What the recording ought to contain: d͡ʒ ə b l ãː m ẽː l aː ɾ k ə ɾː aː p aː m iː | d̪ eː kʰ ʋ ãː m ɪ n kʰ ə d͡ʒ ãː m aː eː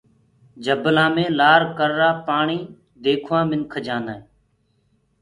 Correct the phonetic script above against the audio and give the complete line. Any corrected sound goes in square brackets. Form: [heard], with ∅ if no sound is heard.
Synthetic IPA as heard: d͡ʒ ə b l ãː m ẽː l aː ɾ k ə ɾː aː p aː [ɳ] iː | d̪ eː kʰ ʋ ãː m ɪ n kʰ ə d͡ʒ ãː [n] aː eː